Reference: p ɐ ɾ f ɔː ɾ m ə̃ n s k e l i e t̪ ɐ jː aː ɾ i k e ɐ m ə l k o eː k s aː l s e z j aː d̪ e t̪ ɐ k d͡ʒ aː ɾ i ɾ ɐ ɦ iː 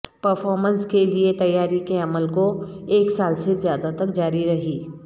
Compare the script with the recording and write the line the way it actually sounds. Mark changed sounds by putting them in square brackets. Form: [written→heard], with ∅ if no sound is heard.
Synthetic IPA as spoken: p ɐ ɾ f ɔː ɾ m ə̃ n s k e l i e t̪ ɐ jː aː ɾ i k e ɐ m ə l k o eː k s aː l s e z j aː d̪ [e→a] t̪ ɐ k d͡ʒ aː ɾ i ɾ ɐ ɦ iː